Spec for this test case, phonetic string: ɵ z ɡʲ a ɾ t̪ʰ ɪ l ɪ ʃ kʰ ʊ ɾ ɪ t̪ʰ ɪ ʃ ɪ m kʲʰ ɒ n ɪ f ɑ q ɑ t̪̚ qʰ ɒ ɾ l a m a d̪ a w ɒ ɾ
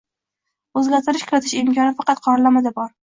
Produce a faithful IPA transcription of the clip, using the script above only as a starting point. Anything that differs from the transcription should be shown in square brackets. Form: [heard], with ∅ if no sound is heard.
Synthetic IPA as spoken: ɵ z ɡʲ a ɾ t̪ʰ ɪ [ɾ] ɪ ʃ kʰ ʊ ɾ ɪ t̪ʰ ɪ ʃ ɪ m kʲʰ ɒ n ɪ f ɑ q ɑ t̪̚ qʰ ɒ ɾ l a m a d̪ a [b] ɒ ɾ